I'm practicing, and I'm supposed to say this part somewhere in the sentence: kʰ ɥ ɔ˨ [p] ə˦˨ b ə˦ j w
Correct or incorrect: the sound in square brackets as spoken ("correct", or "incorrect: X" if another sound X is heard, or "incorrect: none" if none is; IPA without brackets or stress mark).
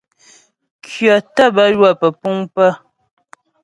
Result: incorrect: t